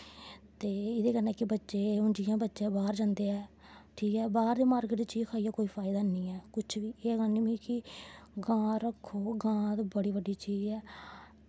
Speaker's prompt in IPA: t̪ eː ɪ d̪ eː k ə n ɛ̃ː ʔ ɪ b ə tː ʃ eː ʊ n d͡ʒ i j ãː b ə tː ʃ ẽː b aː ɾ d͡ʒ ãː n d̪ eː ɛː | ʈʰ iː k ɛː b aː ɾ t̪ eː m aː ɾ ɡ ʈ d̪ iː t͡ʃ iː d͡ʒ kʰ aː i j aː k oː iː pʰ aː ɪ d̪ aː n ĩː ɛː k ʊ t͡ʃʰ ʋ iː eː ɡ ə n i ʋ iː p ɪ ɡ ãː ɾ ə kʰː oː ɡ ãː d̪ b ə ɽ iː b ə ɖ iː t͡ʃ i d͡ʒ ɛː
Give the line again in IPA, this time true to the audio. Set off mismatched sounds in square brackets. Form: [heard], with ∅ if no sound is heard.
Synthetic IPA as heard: t̪ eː ɪ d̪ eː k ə n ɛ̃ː [k] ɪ b ə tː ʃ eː ʊ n d͡ʒ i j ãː b ə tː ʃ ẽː b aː ɾ d͡ʒ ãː n d̪ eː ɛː | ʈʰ iː k ɛː b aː ɾ [d̪] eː m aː ɾ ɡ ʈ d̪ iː t͡ʃ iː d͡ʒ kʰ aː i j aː k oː iː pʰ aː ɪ d̪ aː n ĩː ɛː k ʊ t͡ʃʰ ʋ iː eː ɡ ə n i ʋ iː [k] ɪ ɡ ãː ɾ ə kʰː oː ɡ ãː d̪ b ə ɽ iː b ə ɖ iː t͡ʃ [iː] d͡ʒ ɛː